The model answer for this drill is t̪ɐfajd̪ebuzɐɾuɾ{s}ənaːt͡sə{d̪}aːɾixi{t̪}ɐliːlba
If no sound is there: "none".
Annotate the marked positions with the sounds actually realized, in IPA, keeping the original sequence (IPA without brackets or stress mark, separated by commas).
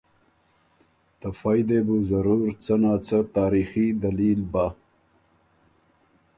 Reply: t͡s, t̪, d̪